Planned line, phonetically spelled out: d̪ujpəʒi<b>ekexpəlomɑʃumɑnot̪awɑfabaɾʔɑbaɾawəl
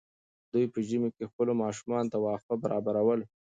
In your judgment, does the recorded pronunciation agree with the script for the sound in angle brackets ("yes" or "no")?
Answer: no